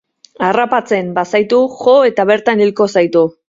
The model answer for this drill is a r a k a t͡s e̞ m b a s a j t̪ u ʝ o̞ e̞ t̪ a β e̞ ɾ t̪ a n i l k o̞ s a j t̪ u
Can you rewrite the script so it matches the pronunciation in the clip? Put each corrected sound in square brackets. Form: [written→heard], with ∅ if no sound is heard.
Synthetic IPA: a r a [k→p] a t͡s e̞ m b a s a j t̪ u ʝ o̞ e̞ t̪ a β e̞ ɾ t̪ a n i l k o̞ s a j t̪ u